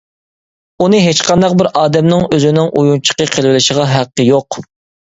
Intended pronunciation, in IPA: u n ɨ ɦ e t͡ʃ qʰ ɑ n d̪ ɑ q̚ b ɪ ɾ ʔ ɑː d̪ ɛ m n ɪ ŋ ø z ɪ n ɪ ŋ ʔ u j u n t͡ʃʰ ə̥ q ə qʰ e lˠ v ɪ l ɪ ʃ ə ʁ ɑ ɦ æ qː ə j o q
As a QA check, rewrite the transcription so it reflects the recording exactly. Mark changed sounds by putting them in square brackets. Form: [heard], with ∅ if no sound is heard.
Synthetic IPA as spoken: u n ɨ ɦ e t͡ʃ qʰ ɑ n d̪ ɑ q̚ b ɪ ɾ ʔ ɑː d̪ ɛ m n ɪ ŋ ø z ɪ n ɪ ŋ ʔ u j u n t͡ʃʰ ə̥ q ə qʰ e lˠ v ɪ l ɪ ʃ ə ʁ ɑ ɦ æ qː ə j o q